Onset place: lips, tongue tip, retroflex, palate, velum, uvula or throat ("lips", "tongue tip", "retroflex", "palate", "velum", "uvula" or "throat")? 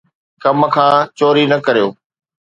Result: velum